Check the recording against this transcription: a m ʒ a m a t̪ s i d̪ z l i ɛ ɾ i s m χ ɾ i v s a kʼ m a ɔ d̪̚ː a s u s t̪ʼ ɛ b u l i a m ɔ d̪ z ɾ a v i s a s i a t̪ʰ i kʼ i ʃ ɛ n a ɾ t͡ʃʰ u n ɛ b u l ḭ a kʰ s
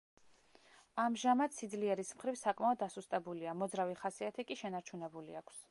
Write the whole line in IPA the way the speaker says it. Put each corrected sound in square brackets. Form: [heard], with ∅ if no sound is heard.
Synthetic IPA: a m ʒ a m a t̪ s i d̪ z l i ɛ ɾ i s m χ ɾ i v s a kʼ m a ɔ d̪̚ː a s u s t̪ʼ ɛ b u l i a m ɔ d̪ z ɾ a v i [χ] a s i a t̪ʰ i kʼ i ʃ ɛ n a ɾ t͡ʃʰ u n ɛ b u l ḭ a kʰ s